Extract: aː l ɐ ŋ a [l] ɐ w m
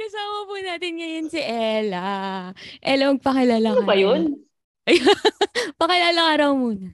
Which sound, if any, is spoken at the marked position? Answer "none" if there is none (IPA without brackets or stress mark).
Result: ɾ